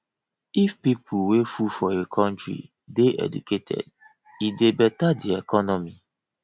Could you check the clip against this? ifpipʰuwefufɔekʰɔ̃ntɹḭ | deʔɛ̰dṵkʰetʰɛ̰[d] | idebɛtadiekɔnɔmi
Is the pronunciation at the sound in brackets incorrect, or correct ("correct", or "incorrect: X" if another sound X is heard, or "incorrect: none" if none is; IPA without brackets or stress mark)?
correct